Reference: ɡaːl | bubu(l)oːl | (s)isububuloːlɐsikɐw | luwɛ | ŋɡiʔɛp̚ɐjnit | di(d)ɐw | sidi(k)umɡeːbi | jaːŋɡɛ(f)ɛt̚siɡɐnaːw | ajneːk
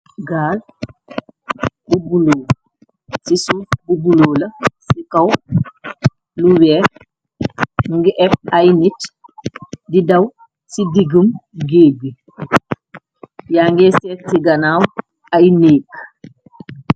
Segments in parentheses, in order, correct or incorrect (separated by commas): correct, correct, correct, incorrect, incorrect